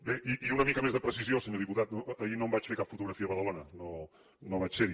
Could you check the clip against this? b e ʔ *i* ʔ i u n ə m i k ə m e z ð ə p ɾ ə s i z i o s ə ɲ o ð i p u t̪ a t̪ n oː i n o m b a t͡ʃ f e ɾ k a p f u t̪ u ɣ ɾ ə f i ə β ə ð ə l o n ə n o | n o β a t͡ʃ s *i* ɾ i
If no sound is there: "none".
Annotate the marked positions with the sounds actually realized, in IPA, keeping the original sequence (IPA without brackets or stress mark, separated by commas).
i, e